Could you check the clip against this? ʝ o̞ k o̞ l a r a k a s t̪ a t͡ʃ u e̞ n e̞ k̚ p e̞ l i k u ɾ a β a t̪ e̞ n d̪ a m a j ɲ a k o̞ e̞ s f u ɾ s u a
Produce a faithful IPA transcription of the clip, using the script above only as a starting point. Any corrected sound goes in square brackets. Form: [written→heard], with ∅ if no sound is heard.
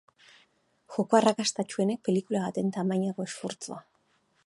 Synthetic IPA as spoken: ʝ o̞ k o̞ [l→∅] a r a k a s t̪ a t͡ʃ u e̞ n e̞ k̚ p e̞ l i k u [ɾ→l] a β a t̪ e̞ n [d̪→t̪] a m a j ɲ a k o̞ e̞ s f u ɾ [s→t͡s] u a